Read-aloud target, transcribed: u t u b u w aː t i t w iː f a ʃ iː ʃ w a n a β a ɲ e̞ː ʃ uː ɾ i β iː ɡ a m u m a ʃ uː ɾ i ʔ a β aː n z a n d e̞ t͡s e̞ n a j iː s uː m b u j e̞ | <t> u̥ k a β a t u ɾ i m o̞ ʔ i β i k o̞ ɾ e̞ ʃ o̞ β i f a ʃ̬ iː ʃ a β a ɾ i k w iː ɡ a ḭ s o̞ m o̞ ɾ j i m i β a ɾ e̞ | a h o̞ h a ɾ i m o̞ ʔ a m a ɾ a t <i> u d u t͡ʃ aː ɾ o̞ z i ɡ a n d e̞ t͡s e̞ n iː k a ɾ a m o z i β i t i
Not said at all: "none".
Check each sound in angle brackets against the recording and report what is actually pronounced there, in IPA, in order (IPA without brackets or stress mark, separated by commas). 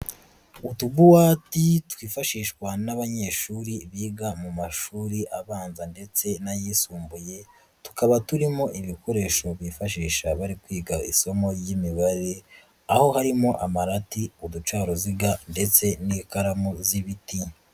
t, i